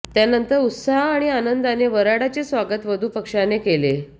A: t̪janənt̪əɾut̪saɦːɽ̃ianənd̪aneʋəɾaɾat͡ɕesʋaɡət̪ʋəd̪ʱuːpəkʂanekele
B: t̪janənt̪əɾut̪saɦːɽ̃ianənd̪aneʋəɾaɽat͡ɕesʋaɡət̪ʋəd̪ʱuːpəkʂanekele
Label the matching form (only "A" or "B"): B